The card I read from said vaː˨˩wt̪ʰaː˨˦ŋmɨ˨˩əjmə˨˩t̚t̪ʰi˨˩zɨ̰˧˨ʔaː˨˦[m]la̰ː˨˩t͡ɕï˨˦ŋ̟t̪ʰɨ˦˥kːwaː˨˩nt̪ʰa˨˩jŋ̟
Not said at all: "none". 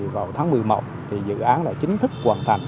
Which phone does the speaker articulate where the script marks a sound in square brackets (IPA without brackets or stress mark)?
n